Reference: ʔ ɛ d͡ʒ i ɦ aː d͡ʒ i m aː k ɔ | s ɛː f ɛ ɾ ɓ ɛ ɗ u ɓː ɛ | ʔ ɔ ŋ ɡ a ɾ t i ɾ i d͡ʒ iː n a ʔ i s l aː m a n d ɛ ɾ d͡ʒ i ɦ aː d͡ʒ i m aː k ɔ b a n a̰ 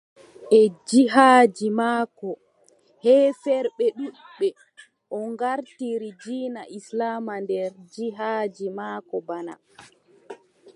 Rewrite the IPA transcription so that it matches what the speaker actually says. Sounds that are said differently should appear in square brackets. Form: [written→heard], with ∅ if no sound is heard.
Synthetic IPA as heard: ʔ ɛ d͡ʒ i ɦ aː d͡ʒ i m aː k ɔ | [s→h] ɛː f ɛ ɾ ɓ ɛ ɗ u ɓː ɛ | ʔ ɔ ŋ ɡ a ɾ t i ɾ i d͡ʒ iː n a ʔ i s l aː m a n d ɛ ɾ d͡ʒ i ɦ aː d͡ʒ i m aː k ɔ b a n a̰